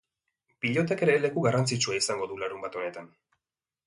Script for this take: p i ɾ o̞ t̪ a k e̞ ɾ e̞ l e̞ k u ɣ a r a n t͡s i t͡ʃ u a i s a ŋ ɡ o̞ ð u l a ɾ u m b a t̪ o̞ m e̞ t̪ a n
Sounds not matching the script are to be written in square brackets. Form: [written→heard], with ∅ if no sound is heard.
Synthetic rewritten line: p i [ɾ→ʎ] o̞ t̪ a k e̞ ɾ e̞ l e̞ k u ɣ a r a n t͡s i t͡ʃ u a i s a ŋ ɡ o̞ ð u l a ɾ u m b a t̪ o̞ [m→n] e̞ t̪ a n